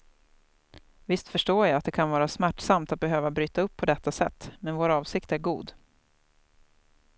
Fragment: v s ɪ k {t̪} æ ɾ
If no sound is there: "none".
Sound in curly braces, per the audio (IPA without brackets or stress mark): t̪